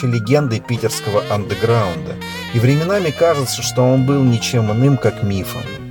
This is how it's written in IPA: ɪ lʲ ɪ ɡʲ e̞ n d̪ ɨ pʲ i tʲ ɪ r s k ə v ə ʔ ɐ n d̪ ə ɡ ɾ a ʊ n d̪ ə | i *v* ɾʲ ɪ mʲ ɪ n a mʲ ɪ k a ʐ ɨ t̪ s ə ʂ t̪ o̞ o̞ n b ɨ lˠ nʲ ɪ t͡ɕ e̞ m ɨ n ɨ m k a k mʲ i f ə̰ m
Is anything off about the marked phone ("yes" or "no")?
no